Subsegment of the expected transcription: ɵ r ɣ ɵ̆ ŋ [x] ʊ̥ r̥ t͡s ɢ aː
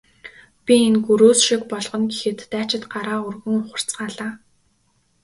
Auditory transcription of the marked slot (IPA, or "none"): χ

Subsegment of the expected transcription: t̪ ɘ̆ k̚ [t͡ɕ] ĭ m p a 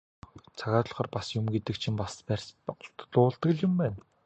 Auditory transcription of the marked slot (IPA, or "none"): t͡ɕʰ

